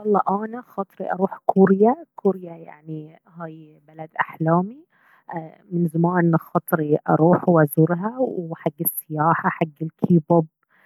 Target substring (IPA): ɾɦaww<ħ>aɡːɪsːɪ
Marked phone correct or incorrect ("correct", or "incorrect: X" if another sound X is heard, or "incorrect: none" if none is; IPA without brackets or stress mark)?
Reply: correct